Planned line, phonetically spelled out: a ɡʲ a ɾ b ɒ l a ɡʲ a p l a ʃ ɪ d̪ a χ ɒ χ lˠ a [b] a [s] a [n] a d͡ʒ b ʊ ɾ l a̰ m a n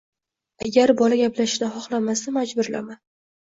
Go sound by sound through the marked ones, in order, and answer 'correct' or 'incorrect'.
incorrect: m, correct, incorrect: m

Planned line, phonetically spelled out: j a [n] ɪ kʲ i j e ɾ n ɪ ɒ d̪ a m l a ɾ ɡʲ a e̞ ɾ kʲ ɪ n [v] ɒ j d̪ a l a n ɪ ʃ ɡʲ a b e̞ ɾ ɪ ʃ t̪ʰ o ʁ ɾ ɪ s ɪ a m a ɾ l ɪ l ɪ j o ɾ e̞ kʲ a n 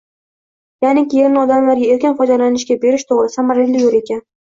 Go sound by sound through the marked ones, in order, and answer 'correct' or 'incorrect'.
correct, incorrect: f

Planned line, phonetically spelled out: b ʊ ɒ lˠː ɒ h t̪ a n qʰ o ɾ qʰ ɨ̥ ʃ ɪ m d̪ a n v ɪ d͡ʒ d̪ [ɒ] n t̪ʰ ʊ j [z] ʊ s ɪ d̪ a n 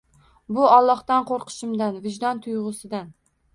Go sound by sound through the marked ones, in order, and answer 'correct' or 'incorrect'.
correct, incorrect: ʁ

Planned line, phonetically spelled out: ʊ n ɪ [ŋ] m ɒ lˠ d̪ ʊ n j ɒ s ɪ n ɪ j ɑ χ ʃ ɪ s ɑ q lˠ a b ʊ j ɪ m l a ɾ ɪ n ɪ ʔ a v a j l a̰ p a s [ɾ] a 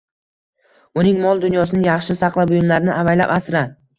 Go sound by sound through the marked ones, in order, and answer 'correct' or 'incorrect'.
correct, correct

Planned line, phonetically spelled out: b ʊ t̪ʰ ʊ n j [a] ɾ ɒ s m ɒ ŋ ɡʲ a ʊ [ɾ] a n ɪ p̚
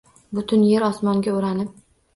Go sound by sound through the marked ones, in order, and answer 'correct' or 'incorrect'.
incorrect: e, correct

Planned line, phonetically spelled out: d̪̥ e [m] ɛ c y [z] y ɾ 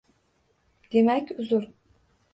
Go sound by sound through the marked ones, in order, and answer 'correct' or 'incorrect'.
correct, correct

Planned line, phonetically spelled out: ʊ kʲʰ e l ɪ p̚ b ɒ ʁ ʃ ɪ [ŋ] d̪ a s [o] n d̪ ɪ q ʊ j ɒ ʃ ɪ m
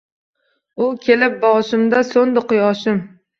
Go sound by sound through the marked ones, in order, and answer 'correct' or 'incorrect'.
incorrect: m, correct

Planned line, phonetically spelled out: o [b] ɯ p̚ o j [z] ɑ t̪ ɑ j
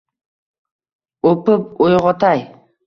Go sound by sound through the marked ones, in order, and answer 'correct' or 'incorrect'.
incorrect: p, incorrect: ʁ

